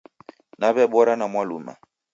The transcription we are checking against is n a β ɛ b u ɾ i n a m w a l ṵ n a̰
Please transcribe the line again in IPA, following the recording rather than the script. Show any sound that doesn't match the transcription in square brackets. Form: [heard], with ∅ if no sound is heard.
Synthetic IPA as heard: n a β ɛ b [ɔ] ɾ [a] n a m w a l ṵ [m] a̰